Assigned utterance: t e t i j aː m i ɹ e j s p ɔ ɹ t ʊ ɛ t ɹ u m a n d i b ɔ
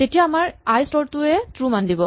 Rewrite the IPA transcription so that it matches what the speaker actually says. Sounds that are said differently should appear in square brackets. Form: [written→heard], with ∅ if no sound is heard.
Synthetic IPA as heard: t e t i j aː m [i→a] ɹ [e→a] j s [p→t] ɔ ɹ t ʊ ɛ t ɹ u m a n d i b ɔ

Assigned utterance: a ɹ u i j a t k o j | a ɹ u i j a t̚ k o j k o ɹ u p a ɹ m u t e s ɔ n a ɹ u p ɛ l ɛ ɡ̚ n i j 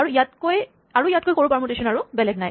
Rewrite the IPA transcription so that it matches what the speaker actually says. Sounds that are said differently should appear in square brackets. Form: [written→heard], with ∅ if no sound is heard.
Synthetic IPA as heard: a ɹ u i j a t k o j | a ɹ u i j a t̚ k o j k o ɹ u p a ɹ m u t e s ɔ n a ɹ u [p→b] ɛ l ɛ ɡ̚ n [i→a] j

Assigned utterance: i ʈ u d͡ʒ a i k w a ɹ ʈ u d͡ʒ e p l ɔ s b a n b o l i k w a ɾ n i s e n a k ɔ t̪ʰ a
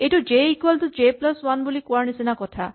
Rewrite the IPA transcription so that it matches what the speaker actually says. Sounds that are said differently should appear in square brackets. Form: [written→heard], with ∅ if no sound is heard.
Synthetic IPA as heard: [i→e] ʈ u d͡ʒ [a→e] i k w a [ɹ→l] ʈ u d͡ʒ e p l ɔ s [b→w] a n b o l i k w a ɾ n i s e n a k ɔ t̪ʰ a

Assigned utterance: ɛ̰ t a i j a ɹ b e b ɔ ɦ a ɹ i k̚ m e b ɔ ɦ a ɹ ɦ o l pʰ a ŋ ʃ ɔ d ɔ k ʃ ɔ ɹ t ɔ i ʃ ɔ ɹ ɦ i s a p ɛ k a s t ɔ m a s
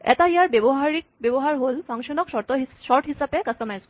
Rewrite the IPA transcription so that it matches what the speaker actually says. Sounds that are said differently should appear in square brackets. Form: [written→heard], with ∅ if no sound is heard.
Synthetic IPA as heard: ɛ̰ t a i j a ɹ b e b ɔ ɦ a ɹ i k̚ [m→b] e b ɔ ɦ a ɹ ɦ o l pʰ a ŋ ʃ ɔ [d→n] ɔ k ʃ ɔ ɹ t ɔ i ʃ ɔ ɹ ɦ i s a p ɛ k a s t ɔ m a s

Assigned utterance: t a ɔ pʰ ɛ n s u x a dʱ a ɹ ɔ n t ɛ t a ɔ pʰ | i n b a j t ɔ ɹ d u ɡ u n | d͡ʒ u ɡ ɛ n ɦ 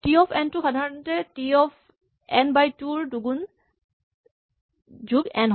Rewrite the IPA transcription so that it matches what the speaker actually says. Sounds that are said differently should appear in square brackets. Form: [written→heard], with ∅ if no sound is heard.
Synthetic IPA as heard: t [a→i] ɔ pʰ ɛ n [s→t] u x a dʱ a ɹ ɔ n t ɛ t [a→i] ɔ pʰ | [i→ɛ] n b a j t [ɔ→u] ɹ d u ɡ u n | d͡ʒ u ɡ ɛ n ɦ

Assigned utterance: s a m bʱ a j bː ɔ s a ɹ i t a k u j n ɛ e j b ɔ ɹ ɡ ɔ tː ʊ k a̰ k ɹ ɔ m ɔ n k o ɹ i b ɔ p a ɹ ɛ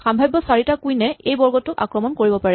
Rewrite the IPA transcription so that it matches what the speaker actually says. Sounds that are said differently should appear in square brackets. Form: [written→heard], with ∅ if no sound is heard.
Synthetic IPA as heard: [s→x] a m bʱ a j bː ɔ s a ɹ i t a k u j n ɛ e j b ɔ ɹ ɡ ɔ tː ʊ k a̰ k ɹ ɔ m ɔ n k o ɹ i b ɔ p a ɹ ɛ

